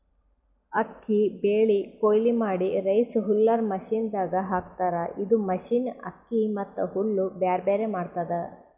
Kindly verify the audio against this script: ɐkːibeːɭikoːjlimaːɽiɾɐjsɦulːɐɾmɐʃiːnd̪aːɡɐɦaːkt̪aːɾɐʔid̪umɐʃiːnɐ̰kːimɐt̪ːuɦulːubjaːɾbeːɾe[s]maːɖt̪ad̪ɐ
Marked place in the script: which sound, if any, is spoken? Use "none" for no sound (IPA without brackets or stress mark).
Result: none